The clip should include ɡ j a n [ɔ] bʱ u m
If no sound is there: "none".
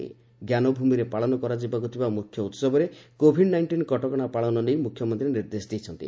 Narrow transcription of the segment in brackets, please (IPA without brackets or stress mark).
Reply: ɔ